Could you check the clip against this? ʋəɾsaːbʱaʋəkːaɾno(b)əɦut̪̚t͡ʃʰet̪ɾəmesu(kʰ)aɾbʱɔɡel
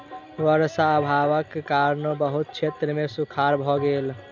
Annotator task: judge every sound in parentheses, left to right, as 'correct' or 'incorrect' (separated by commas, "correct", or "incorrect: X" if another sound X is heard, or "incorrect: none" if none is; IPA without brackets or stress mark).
correct, correct